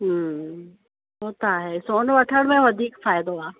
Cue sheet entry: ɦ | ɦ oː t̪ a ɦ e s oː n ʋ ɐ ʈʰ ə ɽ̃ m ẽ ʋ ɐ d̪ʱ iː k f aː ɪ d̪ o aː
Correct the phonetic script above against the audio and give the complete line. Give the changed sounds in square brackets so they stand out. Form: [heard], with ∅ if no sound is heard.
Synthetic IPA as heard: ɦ | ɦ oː t̪ a ɦ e s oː n ʋ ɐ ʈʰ ə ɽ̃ m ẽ ʋ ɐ d̪ʱ iː k f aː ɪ d̪ o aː